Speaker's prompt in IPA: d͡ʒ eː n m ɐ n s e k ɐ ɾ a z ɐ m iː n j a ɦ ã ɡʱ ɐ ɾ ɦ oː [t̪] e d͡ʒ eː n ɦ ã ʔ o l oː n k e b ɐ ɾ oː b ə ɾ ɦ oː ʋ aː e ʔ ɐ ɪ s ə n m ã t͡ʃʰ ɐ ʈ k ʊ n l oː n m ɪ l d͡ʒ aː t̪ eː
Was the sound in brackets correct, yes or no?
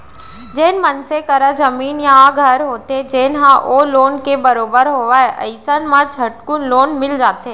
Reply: yes